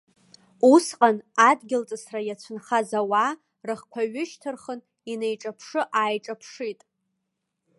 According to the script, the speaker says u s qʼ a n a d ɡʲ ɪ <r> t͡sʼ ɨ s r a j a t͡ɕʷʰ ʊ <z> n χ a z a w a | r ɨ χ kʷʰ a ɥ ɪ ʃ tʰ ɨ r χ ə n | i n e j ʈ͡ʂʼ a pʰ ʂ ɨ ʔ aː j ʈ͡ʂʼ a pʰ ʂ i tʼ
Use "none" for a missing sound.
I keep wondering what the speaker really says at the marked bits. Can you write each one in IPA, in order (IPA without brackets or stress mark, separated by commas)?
l, none